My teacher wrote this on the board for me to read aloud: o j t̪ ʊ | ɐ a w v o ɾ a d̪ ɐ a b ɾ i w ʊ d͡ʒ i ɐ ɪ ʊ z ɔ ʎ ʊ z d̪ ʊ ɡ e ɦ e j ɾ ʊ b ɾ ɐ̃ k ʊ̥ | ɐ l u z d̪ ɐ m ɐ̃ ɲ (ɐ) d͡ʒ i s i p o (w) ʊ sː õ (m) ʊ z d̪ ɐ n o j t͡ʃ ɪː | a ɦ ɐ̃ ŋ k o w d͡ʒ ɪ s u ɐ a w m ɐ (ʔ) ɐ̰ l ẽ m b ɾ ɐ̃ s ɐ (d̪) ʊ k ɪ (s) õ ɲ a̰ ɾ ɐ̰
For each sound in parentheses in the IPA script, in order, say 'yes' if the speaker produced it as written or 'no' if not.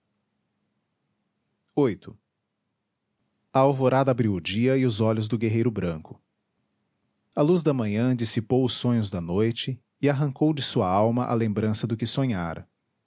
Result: no, yes, no, yes, yes, yes

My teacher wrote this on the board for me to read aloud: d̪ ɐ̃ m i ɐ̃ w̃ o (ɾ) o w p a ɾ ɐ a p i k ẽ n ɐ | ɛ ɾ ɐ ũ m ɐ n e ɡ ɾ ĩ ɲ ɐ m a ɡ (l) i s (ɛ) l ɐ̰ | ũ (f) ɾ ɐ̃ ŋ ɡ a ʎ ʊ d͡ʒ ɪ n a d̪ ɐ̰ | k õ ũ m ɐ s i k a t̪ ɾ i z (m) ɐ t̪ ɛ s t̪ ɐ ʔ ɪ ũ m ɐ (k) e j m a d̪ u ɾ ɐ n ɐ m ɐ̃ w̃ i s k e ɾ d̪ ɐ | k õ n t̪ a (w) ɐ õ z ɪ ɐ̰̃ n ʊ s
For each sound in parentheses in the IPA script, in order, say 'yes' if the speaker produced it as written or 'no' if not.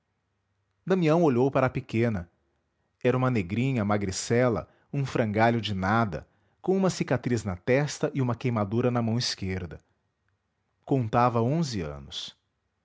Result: no, no, yes, yes, no, yes, no

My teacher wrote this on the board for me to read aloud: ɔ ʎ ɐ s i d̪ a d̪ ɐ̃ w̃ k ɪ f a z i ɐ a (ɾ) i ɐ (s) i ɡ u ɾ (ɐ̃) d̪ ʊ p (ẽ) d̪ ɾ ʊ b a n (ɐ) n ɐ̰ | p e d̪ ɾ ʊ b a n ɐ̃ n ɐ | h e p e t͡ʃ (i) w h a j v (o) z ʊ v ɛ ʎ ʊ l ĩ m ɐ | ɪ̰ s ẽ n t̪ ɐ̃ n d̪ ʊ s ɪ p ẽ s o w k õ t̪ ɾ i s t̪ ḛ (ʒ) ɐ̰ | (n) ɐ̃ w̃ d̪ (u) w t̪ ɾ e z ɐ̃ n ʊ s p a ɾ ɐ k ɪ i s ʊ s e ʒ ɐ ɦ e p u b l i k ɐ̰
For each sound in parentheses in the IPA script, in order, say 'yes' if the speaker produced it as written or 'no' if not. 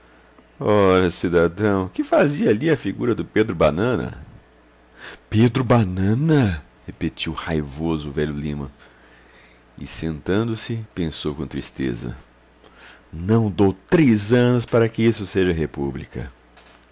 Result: no, no, no, no, no, yes, yes, no, yes, no

